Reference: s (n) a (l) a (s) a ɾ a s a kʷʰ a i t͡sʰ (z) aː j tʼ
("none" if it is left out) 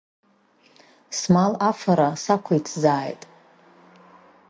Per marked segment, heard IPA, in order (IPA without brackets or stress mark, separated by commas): m, l, f, z